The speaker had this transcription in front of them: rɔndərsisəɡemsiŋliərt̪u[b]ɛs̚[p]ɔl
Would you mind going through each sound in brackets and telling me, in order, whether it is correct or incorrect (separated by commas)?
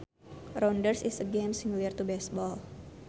correct, incorrect